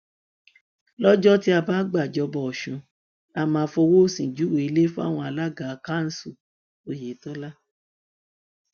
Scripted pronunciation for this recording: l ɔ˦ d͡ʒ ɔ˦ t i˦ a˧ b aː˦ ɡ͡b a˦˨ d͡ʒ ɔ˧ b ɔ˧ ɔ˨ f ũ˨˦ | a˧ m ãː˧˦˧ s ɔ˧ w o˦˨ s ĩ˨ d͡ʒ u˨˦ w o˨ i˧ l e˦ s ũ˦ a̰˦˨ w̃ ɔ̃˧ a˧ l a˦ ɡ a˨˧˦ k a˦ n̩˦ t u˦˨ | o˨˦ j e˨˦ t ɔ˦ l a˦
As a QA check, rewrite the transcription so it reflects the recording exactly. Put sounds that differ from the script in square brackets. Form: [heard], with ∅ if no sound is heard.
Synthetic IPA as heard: l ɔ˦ d͡ʒ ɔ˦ t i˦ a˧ b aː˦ ɡ͡b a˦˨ d͡ʒ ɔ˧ b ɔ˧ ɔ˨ [ʃ] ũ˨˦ | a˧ m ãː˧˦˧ [f] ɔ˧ w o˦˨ s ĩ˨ d͡ʒ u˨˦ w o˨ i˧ l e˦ [f] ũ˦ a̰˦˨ w̃ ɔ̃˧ a˧ l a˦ ɡ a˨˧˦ k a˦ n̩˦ [s] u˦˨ | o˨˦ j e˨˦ t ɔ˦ l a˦